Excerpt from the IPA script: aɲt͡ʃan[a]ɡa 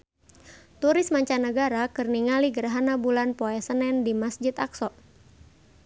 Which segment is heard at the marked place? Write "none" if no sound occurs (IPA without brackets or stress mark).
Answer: ə